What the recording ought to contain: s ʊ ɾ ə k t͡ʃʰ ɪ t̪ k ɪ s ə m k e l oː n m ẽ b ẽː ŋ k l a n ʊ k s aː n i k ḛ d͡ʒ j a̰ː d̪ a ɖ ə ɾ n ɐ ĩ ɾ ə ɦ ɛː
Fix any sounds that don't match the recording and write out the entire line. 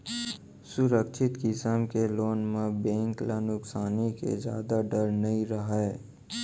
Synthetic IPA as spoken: s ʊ ɾ ə k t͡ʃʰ ɪ t̪ k ɪ s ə m k e l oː n m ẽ b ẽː ŋ k l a n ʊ k s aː n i k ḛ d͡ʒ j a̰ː d̪ a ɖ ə ɾ n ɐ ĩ ɾ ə ɦ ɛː